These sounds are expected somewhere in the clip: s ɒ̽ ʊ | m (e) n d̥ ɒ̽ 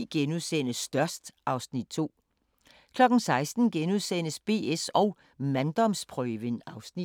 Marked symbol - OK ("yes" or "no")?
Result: no